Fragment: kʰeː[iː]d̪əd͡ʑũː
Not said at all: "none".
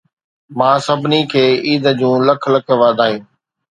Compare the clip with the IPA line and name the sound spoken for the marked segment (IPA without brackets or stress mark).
iː